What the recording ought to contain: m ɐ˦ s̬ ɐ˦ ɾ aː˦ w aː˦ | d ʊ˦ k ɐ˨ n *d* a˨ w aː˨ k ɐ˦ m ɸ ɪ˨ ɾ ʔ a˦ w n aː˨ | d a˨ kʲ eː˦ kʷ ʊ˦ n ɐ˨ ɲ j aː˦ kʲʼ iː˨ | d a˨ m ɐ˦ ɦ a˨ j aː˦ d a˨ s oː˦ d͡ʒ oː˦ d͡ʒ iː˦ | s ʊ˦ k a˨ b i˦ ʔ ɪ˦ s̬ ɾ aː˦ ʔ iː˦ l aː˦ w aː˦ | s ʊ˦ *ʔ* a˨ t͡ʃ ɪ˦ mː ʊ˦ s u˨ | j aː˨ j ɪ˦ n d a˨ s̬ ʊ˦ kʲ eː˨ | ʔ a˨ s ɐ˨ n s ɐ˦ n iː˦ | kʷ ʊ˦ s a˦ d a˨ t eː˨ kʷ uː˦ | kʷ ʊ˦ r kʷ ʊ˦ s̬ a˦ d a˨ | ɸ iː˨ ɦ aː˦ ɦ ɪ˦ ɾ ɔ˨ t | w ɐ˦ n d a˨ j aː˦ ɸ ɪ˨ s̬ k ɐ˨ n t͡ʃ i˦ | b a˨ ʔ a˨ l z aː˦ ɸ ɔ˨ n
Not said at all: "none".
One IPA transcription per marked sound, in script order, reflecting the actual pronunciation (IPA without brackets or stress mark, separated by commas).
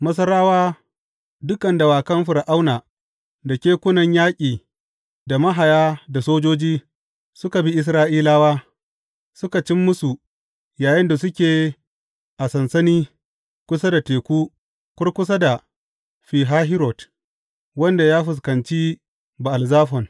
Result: d, k